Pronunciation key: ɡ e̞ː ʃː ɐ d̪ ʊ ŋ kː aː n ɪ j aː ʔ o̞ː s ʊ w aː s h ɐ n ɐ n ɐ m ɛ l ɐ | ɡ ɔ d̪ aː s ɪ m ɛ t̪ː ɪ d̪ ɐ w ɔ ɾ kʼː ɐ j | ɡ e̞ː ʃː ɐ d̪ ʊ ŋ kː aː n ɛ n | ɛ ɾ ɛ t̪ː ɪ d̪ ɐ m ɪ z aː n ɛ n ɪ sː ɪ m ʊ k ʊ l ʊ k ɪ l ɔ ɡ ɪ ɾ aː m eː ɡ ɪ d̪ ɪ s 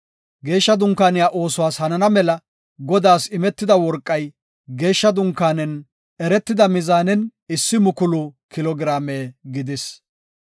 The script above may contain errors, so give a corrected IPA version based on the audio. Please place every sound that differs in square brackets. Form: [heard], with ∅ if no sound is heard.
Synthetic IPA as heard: ɡ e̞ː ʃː ɐ d̪ ʊ ŋ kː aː n ɪ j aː ʔ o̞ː s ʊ w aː s h ɐ n ɐ n ɐ m ɛ l ɐ | ɡ ɔ d̪ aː s ɪ m ɛ t̪ː ɪ d̪ ɐ w ɔ ɾ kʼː ɐ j | ɡ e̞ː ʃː ɐ d̪ ʊ ŋ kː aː n ɛ n | ɛ ɾ ɛ t̪ː ɪ d̪ ɐ m ɪ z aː n ɛ n ɪ sː ɪ m ʊ k ʊ l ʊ k ɪ l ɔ ɡ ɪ ɾ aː m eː ɡ ɪ d̪ ɪ s